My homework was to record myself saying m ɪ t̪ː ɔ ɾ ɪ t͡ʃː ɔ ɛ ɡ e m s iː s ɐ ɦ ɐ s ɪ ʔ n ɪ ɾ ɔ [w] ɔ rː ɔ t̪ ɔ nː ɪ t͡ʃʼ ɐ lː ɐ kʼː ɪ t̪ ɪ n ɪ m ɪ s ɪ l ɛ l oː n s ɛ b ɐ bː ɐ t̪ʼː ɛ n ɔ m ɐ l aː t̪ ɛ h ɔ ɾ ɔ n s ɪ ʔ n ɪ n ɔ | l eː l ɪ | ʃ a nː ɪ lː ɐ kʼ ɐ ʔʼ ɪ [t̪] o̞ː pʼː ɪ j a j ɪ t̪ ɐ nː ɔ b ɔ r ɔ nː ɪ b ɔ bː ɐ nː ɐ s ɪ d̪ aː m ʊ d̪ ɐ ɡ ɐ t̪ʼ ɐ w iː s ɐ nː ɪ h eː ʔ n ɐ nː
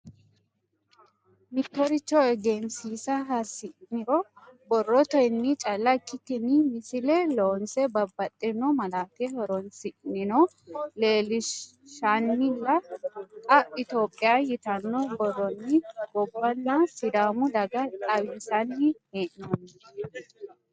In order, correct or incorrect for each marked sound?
incorrect: b, correct

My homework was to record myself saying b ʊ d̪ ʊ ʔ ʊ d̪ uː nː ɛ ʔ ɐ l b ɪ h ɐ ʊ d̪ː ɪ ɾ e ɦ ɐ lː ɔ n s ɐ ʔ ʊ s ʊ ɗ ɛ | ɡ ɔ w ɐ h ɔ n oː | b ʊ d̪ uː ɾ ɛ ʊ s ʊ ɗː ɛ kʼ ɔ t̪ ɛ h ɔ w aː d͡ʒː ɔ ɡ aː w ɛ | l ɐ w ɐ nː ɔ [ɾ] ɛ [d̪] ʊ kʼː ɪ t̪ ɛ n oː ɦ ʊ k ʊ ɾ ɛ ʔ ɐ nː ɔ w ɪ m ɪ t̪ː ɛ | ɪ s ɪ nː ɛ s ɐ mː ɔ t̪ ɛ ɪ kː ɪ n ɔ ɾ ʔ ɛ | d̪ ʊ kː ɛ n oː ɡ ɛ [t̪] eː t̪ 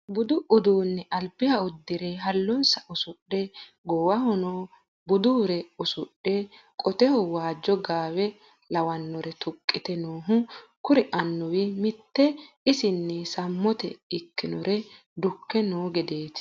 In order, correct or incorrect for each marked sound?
correct, incorrect: t̪, incorrect: d̪

